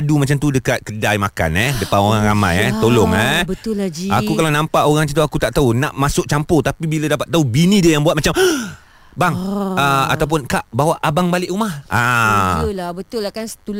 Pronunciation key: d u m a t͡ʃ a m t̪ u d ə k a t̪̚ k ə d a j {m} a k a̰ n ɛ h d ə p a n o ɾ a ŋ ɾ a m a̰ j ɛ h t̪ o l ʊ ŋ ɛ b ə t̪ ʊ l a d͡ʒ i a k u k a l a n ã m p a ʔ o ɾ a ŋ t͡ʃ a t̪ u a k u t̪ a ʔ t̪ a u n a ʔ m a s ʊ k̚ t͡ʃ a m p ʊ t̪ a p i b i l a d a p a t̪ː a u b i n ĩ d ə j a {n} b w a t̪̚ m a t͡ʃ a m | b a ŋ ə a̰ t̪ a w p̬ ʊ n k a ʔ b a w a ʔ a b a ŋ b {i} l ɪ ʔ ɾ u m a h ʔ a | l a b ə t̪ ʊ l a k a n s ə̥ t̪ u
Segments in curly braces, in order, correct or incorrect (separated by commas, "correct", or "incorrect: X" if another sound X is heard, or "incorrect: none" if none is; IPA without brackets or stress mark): correct, incorrect: ŋ, incorrect: a